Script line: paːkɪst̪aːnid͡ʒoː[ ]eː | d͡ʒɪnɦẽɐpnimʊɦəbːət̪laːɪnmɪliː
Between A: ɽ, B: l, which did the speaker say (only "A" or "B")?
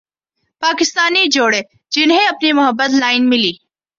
A